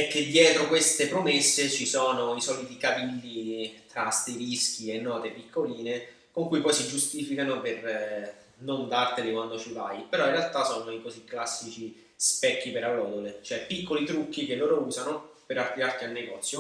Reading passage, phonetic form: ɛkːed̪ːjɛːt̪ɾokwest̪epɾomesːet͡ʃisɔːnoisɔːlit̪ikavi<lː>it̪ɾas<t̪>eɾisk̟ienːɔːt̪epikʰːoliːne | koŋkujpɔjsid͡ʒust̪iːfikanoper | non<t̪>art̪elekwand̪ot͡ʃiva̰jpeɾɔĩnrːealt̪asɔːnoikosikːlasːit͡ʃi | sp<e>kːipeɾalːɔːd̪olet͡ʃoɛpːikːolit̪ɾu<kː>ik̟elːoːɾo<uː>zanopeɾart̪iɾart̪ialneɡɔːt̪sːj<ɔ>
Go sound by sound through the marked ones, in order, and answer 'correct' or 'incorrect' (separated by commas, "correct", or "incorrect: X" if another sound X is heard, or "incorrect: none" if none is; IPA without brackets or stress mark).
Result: correct, correct, incorrect: d̪, incorrect: ɛ, correct, correct, incorrect: o